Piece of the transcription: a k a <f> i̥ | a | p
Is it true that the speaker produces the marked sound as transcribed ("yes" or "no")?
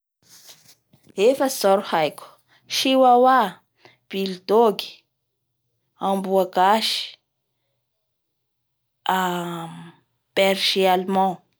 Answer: no